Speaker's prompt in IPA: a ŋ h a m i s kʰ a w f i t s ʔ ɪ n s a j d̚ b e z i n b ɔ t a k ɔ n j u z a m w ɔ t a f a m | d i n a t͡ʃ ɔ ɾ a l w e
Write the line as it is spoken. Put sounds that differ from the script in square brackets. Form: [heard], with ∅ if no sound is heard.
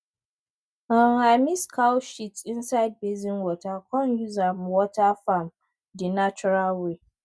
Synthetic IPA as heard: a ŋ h a m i s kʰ a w [ʃ] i t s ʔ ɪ n s a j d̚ b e z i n [w] ɔ t a k ɔ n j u z a m w ɔ t a f a m | d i n a t͡ʃ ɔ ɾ a l w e